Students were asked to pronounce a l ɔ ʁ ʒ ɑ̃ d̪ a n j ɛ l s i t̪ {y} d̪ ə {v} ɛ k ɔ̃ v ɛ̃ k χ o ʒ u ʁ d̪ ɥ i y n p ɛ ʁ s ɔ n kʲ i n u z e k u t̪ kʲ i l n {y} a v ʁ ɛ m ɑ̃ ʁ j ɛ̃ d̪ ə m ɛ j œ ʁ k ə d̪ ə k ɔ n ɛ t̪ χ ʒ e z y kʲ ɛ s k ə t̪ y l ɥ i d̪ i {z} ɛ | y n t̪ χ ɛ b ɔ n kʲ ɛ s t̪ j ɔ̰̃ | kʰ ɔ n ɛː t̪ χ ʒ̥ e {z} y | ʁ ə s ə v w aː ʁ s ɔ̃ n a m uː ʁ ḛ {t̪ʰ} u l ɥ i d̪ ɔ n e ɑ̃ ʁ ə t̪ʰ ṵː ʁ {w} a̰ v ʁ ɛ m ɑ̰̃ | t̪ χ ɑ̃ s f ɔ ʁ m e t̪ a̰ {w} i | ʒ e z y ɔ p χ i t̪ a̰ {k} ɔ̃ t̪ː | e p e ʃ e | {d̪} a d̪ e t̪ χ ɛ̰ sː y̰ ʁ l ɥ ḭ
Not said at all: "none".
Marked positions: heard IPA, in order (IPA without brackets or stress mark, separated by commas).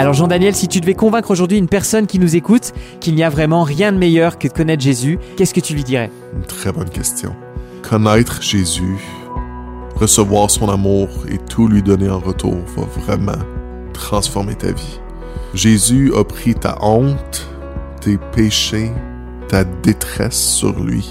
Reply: y, v, i, ʁ, z, t̪ʰ, v, v, ʔ, t̪